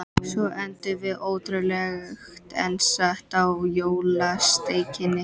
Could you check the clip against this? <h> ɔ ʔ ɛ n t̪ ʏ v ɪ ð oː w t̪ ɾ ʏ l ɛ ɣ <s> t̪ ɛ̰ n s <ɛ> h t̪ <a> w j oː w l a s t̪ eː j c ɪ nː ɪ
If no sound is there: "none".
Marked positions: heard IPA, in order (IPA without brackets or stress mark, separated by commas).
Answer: s, x, a, a